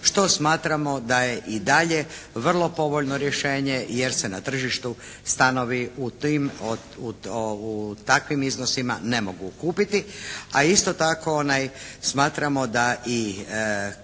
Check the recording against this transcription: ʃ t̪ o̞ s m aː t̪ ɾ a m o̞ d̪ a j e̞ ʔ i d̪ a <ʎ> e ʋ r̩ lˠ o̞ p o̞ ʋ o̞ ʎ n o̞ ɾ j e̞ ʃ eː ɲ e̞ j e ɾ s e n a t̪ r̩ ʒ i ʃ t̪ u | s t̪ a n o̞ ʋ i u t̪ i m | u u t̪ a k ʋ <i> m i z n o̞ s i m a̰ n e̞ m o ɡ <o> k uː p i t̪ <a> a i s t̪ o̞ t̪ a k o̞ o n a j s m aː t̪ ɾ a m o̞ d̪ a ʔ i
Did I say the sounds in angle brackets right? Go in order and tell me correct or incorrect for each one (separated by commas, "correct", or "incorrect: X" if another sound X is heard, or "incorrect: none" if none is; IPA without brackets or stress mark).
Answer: correct, correct, incorrect: u, incorrect: i